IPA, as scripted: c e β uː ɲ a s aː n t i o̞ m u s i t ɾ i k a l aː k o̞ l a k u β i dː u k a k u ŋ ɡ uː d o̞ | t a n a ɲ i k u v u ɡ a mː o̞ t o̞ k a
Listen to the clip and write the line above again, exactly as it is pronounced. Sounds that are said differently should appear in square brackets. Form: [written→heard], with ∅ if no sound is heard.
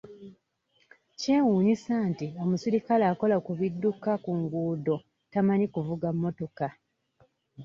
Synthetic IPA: c e [β→w] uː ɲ [a→i] s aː n t i o̞ m u s i [t→∅] ɾ i k a l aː k o̞ l a k u β i dː u k a k u ŋ ɡ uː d o̞ | t a [n→m] a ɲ i k u v u ɡ a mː o̞ t o̞ k a